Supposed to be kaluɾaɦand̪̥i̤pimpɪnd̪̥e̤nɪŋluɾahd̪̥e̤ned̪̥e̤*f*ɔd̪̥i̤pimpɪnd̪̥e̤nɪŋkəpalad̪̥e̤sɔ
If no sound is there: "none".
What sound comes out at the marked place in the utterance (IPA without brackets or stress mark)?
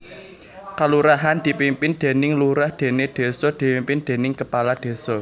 s